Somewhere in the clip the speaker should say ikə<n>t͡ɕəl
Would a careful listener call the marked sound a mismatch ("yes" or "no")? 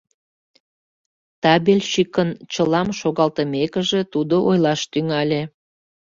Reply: no